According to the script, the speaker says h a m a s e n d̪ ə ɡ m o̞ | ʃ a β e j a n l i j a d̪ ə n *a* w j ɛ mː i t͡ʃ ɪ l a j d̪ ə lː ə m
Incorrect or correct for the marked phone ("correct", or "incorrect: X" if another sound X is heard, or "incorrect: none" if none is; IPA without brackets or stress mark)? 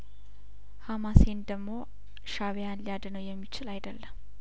incorrect: ə